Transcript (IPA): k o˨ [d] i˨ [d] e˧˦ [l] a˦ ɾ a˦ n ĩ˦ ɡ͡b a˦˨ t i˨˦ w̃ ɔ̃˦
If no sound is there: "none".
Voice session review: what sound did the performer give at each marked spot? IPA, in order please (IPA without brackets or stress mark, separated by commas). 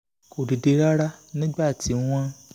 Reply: d, d, ɾ